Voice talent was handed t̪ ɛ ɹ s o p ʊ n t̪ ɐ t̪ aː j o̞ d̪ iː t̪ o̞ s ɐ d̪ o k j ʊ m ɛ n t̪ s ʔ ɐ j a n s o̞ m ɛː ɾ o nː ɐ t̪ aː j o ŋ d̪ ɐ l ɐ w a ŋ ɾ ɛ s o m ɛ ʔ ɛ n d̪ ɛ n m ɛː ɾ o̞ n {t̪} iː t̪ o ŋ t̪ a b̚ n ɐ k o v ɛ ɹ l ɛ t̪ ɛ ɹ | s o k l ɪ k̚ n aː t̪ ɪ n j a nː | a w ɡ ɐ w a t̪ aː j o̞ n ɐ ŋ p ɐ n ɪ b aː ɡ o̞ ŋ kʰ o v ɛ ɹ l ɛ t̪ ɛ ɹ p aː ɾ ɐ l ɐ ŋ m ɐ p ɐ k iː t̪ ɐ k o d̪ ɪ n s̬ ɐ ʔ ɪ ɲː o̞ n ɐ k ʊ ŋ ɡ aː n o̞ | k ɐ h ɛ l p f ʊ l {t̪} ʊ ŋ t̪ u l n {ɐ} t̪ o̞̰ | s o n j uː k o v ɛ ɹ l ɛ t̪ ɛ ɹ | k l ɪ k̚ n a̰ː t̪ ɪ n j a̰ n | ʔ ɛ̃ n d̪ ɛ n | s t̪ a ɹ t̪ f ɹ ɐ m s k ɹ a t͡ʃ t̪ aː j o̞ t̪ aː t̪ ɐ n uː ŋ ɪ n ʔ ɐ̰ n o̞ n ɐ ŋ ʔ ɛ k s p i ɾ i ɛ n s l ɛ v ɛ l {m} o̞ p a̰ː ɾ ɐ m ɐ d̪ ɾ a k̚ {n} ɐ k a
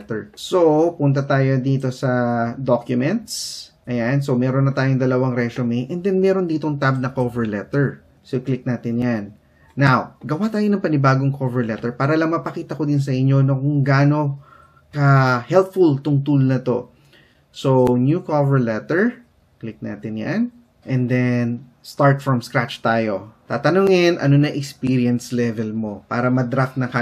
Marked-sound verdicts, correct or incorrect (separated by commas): incorrect, correct, correct, correct, correct